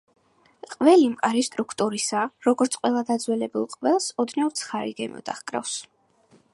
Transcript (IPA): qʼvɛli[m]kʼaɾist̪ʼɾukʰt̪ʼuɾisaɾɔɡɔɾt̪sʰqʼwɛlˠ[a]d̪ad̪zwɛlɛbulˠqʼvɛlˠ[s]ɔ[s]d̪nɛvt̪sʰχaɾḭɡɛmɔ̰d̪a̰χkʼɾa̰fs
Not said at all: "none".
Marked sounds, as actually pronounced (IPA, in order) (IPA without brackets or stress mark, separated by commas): m, a, s, none